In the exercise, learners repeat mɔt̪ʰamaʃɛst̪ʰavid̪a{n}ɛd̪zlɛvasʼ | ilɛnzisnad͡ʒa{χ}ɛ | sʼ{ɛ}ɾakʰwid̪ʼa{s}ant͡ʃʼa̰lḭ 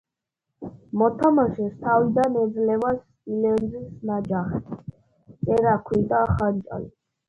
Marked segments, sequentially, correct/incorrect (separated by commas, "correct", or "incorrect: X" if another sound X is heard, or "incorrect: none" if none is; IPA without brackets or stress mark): correct, correct, correct, incorrect: χ